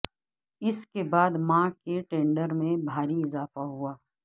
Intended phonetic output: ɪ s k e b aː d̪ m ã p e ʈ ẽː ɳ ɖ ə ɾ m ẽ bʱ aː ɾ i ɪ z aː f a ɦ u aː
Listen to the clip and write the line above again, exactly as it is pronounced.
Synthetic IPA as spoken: ɪ s k e b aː d̪ m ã k e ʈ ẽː ɳ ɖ ə ɾ m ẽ bʱ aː ɾ i ɪ z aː f a ɦ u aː